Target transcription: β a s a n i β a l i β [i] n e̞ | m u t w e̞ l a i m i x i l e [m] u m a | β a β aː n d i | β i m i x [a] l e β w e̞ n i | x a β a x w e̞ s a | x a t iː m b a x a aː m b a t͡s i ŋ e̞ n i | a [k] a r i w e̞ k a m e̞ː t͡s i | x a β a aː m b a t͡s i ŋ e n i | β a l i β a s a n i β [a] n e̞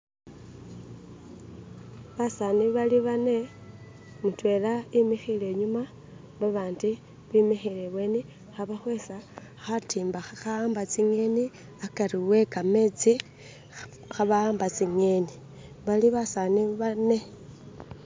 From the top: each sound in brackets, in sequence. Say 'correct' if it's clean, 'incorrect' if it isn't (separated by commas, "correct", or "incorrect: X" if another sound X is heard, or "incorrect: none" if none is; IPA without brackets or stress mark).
incorrect: a, incorrect: ɲ, incorrect: i, correct, correct